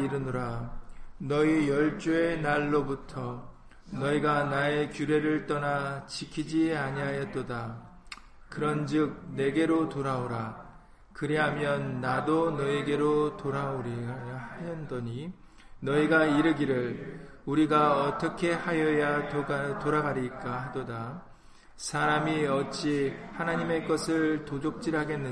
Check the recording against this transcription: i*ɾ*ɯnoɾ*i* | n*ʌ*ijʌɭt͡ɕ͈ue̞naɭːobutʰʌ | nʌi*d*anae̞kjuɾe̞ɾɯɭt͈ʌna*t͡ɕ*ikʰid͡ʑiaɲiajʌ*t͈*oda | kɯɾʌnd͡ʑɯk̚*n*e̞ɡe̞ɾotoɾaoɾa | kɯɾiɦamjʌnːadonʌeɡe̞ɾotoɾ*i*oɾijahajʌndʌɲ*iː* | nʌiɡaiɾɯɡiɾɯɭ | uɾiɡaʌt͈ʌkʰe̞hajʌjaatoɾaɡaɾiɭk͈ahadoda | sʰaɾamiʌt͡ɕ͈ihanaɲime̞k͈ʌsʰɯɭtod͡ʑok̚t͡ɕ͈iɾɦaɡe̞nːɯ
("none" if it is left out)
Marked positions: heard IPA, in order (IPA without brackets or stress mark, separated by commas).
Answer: ɾ, a, ʌ, ɡ, t͡ɕ, t͈, n, a, i